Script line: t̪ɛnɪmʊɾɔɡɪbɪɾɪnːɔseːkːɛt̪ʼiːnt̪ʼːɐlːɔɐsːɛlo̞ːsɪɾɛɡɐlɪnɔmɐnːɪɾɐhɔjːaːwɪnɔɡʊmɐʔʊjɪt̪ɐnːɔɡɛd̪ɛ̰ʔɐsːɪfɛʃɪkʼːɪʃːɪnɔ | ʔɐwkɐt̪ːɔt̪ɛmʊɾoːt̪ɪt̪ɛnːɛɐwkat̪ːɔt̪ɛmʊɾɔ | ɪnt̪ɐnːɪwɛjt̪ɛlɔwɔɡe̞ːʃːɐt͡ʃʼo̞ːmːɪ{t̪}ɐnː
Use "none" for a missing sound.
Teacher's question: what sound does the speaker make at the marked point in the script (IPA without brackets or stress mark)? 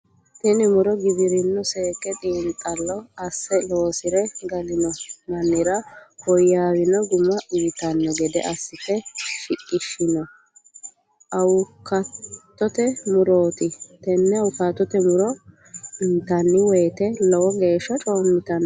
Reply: t̪